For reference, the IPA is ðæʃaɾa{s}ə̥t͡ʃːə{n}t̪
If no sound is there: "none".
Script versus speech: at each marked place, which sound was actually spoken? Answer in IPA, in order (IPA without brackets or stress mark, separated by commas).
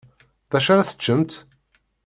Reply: θ, m